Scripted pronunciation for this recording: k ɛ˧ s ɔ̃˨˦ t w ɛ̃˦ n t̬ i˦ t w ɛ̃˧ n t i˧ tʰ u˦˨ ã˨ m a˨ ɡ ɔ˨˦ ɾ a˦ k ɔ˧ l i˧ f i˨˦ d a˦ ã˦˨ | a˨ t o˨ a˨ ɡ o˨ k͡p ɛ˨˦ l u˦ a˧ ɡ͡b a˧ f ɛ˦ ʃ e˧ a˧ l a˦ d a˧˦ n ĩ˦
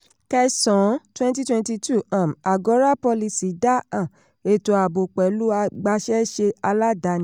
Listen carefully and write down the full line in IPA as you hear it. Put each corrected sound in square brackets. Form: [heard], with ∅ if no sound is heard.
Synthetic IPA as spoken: k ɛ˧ s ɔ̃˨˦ t w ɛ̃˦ n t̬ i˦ t w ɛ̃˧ n t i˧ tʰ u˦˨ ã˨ m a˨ ɡ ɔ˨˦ ɾ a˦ [p] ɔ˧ l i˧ [s] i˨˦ d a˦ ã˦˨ | [e˨] t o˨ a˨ [b] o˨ k͡p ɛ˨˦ l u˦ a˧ ɡ͡b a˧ [ʃ] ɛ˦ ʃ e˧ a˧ l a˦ d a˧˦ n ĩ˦